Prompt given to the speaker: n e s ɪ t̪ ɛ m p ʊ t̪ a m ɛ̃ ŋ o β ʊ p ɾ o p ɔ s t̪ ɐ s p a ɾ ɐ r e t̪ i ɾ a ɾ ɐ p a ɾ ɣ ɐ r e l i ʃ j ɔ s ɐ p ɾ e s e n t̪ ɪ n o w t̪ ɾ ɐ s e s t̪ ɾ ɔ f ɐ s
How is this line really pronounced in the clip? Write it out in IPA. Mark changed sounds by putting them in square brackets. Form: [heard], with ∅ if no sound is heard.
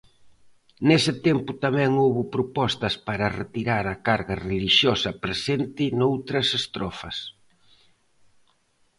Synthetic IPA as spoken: n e s ɪ t̪ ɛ m p ʊ t̪ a m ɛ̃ ŋ o β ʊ p ɾ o p ɔ s t̪ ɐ s p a ɾ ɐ r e t̪ i ɾ a ɾ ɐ [k] a ɾ ɣ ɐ r e l i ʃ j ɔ s ɐ p ɾ e s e n t̪ ɪ n o w t̪ ɾ ɐ s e s t̪ ɾ ɔ f ɐ s